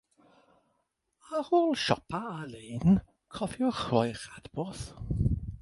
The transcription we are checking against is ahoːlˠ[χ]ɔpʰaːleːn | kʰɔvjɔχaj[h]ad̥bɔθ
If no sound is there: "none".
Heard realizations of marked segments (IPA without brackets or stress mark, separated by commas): ʃ, χ